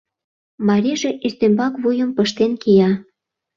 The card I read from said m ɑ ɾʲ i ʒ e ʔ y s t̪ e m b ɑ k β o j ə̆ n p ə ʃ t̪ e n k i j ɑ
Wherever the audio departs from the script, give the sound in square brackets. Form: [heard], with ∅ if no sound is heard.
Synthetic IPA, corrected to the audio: m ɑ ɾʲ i ʒ e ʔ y s t̪ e m b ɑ k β [u] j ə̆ [m] p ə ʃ t̪ e n k i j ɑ